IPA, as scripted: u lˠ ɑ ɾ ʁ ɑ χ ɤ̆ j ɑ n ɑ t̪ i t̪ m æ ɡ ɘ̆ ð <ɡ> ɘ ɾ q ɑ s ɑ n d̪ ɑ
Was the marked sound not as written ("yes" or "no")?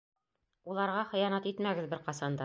yes